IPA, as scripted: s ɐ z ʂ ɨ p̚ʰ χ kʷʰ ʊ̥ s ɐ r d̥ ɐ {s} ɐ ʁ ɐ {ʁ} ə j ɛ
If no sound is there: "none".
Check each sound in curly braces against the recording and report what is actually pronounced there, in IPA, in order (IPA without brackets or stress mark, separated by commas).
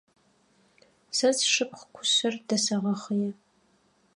s, χ